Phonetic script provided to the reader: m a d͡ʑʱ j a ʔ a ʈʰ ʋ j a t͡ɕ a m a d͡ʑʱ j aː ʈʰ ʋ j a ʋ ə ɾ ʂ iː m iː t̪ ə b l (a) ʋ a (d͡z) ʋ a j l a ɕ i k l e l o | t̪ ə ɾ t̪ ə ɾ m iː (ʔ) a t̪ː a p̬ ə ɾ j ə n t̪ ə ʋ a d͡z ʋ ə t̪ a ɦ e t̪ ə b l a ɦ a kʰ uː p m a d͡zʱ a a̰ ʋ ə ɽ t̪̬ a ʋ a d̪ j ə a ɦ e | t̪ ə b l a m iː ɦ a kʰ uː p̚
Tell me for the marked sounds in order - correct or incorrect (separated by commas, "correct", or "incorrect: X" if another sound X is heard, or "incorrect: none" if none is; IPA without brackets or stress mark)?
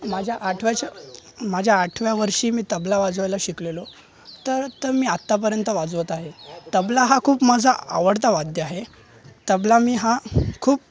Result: correct, correct, incorrect: none